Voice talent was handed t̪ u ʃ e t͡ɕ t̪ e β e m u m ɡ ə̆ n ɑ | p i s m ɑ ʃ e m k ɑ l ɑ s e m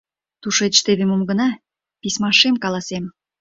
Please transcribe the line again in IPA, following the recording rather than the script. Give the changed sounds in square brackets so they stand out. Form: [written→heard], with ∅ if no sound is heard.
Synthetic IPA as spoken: t̪ u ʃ e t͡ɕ t̪ e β e m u m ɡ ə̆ n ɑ | p i s m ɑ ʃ e m k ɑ l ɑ s e m

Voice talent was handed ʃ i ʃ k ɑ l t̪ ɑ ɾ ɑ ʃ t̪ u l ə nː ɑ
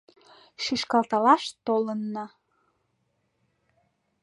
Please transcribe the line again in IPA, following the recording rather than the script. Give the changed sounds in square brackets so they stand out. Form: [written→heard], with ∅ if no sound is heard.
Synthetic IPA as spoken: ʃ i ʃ k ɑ l t̪ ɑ [ɾ→l] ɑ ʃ t̪ [u→o] l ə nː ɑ

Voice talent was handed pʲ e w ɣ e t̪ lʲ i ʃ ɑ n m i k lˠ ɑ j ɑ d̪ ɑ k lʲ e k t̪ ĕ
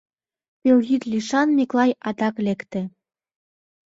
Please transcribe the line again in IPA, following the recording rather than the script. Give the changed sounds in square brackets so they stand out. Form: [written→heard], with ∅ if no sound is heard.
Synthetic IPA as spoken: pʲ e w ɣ [e→i] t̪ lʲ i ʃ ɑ n m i k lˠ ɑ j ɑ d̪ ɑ k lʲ e k t̪ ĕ

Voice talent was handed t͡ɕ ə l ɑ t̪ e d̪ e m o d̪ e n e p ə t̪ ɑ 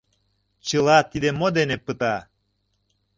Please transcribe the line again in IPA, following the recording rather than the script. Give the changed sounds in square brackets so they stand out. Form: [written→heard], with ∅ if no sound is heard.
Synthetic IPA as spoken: t͡ɕ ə l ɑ t̪ [e→i] d̪ e m o d̪ e n e p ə t̪ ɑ

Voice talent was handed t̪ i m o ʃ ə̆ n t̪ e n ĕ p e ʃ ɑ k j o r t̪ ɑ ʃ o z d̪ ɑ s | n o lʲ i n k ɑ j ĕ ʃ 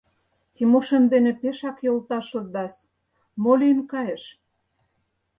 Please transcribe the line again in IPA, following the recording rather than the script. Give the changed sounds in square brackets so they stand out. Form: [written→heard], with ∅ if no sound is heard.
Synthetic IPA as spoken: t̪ i m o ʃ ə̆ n [t̪→d̪] e n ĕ p e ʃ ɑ k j o [r→l] t̪ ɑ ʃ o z d̪ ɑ s | [n→m] o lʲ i n k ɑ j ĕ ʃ

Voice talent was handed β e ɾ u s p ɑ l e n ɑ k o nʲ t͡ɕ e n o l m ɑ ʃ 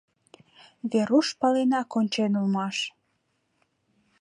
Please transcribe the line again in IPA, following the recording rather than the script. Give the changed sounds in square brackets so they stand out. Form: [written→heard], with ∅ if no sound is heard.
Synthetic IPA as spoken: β e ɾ u [s→ʃ] p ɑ l e n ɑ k o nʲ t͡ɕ e n [o→u] l m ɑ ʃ

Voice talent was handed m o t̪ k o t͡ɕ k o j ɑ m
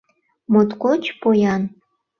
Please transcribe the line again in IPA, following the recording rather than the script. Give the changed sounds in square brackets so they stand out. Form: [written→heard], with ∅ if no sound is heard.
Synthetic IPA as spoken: m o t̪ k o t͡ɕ [k→p] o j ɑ [m→n]

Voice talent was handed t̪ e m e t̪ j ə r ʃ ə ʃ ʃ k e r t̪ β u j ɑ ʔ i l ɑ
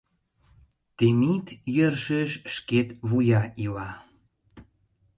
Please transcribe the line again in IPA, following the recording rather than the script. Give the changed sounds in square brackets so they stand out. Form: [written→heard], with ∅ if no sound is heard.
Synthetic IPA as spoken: t̪ e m [e→i] t̪ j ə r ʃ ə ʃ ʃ k e [r→∅] t̪ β u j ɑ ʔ i l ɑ

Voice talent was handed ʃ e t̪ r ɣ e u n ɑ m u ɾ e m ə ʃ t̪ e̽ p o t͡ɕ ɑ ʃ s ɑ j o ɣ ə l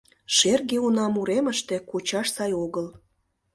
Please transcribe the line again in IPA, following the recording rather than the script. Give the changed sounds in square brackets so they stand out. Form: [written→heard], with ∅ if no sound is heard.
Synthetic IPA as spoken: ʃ e [t̪→∅] r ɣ e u n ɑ m u ɾ e m ə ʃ t̪ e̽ [p→k] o t͡ɕ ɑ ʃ s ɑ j o ɣ ə l

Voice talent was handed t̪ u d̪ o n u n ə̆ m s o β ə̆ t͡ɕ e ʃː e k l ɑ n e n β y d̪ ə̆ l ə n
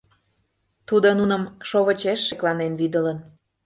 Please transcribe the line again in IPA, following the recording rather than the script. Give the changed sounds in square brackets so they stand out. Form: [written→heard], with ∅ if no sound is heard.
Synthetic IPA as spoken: t̪ u d̪ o n u n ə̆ m [s→ʃ] o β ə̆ t͡ɕ e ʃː e k l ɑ n e n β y d̪ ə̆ l ə n

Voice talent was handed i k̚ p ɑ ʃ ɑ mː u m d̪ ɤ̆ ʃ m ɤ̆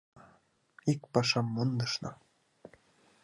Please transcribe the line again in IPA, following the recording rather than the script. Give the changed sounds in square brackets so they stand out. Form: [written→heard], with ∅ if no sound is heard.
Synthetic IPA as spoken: i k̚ p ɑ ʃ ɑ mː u [m→n] d̪ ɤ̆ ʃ [m→n] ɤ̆

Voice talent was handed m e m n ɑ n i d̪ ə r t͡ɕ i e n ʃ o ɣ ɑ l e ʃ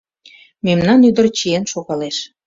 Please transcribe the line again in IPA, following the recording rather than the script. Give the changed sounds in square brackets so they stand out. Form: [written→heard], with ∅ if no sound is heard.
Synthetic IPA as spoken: m e m n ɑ n [i→y] d̪ ə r t͡ɕ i e n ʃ o ɣ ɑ l e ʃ

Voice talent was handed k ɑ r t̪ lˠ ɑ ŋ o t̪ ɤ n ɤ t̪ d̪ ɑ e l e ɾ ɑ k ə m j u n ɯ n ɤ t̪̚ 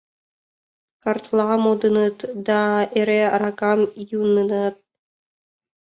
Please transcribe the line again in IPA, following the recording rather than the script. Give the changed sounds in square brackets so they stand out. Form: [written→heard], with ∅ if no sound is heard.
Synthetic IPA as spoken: k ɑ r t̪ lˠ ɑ [ŋ→m] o [t̪→d̪] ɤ n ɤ t̪ d̪ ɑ e [l→ɾ] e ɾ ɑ k [ə→ɑ] m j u n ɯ n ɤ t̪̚

